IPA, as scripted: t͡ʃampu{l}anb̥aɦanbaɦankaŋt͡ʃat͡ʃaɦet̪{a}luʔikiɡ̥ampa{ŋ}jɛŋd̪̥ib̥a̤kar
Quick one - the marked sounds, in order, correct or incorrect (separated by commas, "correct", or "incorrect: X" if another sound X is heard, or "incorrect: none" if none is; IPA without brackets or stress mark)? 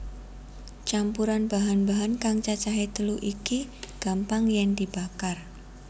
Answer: incorrect: ɾ, incorrect: ə, correct